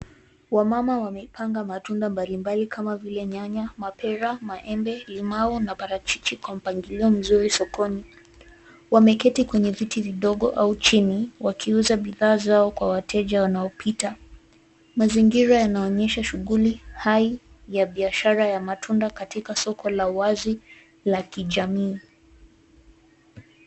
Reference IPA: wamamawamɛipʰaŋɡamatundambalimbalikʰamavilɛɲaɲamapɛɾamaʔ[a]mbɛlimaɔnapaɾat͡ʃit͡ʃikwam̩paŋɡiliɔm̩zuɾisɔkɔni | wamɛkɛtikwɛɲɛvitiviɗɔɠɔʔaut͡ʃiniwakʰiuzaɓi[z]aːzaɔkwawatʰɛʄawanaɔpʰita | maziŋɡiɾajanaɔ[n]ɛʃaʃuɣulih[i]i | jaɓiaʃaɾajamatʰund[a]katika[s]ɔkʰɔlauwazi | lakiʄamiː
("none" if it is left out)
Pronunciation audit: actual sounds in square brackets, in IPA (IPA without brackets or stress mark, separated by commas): ɛ, ð, ɲ, a, a, s